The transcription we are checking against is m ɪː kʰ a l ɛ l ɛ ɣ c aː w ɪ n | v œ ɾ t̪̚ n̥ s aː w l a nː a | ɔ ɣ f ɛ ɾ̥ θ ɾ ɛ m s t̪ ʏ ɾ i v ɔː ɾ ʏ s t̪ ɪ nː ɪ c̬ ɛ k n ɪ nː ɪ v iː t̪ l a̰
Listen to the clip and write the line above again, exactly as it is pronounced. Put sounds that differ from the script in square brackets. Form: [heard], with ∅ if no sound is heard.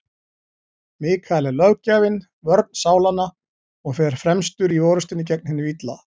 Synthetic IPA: m ɪː kʰ a l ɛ l [œ] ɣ c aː [v] ɪ n | v œ ɾ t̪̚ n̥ s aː w l a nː a | ɔ ɣ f ɛ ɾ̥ [f] ɾ ɛ m s t̪ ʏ ɾ i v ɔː ɾ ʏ s t̪ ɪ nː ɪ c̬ ɛ k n ɪ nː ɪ v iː t̪ l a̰

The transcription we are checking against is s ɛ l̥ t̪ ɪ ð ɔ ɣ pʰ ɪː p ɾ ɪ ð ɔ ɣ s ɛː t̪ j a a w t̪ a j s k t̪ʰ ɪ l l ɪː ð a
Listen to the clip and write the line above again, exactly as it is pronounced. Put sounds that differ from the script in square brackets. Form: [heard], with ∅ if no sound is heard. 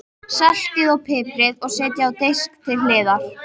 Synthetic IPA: s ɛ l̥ t̪ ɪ ð ɔ ɣ pʰ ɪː p ɾ ɪ ð ɔ ɣ s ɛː t̪ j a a w t̪ [e] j s k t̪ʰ ɪ l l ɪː ð a

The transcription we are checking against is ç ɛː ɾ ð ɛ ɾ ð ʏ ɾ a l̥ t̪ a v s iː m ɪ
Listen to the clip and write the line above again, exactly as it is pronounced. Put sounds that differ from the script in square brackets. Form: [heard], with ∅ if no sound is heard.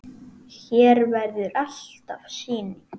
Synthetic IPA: ç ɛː ɾ [v] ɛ ɾ ð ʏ ɾ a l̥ t̪ a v s iː [n] ɪ

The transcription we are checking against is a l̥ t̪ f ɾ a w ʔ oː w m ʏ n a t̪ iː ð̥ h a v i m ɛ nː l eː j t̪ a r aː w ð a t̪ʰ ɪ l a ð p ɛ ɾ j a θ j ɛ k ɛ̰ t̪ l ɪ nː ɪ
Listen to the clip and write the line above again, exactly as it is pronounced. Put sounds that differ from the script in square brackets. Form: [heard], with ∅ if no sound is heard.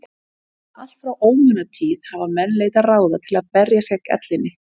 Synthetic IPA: a l̥ t̪ f ɾ a w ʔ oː w m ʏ n a [t̪ʰ] iː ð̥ h a v [a] m ɛ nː l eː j t̪ a r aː w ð a t̪ʰ ɪ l a ð p ɛ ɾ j a [s] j ɛ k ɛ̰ t̪ l ɪ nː ɪ

